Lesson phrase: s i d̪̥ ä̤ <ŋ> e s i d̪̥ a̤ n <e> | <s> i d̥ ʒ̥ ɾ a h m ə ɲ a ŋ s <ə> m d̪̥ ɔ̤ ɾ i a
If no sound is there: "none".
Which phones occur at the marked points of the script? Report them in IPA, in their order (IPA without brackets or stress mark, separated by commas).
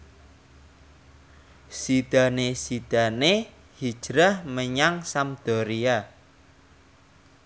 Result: n, e, h, a